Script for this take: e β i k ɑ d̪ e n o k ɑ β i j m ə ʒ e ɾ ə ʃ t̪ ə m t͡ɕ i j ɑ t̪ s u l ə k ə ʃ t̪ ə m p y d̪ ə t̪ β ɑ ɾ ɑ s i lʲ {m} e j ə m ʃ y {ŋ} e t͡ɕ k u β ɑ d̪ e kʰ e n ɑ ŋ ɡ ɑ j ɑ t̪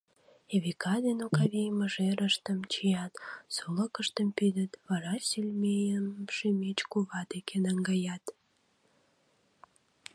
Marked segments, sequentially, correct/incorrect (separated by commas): correct, incorrect